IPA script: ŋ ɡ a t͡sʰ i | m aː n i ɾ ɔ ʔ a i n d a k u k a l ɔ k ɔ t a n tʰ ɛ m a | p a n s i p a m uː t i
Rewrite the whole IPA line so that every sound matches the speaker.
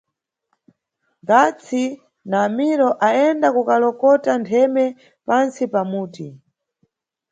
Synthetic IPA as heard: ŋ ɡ a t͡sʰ i | n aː m i ɾ ɔ ʔ a ɛ n d a k u k a l ɔ k ɔ t a n tʰ ɛ m ɛ | p a n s i p a m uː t i